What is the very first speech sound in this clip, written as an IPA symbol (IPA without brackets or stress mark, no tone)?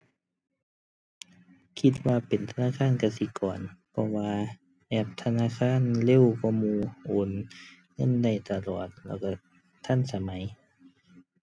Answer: kʰ